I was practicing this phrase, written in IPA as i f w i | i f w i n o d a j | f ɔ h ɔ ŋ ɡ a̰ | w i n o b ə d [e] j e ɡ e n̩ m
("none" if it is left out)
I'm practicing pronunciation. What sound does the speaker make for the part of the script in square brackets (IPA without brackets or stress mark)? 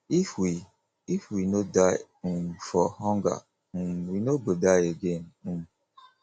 a